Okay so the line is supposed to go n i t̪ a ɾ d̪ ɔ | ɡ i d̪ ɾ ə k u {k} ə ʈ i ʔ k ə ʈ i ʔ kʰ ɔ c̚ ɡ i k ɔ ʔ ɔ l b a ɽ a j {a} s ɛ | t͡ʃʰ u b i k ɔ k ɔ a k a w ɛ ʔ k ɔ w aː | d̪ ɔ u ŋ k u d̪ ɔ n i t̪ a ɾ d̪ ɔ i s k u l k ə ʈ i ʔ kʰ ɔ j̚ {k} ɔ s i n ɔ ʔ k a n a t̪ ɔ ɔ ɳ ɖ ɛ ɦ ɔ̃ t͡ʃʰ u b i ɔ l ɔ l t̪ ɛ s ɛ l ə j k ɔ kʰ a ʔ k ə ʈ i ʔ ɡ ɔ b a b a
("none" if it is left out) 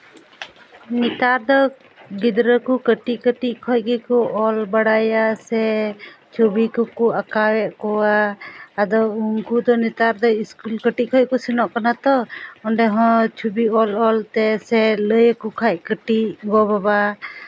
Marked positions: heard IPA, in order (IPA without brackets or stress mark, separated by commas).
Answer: k, a, k